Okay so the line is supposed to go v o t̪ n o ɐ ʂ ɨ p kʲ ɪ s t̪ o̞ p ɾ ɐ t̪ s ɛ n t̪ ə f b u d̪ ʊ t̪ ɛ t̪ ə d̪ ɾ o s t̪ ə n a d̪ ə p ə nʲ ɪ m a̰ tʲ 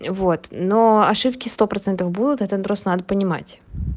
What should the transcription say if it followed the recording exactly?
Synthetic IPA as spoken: v o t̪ n o ɐ ʂ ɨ p kʲ ɪ s t̪ o̞ p ɾ ɐ t̪ s ɛ n t̪ ə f b u d̪ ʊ t̪ ɛ t̪ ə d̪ ɾ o s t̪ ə n a d̪ ə p ə nʲ ɪ m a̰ tʲ